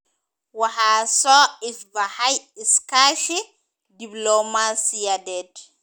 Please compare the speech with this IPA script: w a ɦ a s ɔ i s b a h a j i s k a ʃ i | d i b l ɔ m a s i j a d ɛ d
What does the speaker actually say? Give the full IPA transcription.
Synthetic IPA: w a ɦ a s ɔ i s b a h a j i s k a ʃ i | d i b l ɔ m a s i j a d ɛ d